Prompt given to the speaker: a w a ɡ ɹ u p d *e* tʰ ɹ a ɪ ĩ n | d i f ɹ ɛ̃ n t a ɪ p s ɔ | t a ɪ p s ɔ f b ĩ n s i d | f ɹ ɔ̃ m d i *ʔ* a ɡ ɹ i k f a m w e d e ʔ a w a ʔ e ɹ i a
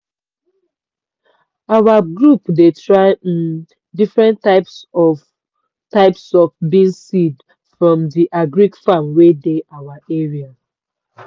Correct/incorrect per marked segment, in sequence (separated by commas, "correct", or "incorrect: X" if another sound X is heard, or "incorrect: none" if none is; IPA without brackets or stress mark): correct, correct